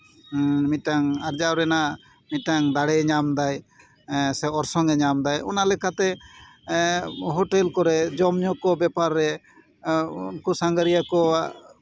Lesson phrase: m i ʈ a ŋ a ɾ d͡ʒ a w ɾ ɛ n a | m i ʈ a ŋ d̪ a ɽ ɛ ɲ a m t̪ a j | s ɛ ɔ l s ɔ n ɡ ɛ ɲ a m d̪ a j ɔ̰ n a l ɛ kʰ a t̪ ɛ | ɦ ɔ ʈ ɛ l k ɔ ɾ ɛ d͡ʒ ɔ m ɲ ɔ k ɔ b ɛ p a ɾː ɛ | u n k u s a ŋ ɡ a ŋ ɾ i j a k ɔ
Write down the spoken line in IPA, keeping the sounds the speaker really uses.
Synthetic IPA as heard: m i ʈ a ŋ a ɾ d͡ʒ a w ɾ ɛ n a | m i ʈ a ŋ d̪ a ɽ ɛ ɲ a m d̪ a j | s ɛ ɔ ɾ s ɔ ŋ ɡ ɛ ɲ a m d̪ a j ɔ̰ n a l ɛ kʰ a t̪ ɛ | ɦ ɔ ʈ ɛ l k ɔ ɾ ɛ d͡ʒ ɔ m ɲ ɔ k ɔ b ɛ p a ɾː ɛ | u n k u s a ŋ ɡ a ɾ i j a k ɔ